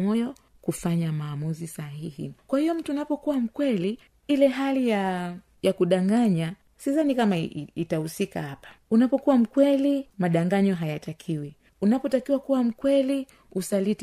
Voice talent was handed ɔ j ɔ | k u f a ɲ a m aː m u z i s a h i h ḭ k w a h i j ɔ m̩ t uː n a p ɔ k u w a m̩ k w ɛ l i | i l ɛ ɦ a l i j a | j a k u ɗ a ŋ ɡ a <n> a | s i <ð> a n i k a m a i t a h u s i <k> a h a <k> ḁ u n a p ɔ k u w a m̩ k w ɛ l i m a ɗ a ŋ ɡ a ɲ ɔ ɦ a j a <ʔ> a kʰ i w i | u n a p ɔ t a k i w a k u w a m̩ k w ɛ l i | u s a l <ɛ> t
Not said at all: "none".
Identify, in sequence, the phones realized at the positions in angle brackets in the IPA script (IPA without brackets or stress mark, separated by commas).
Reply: ɲ, z, k, p, t, i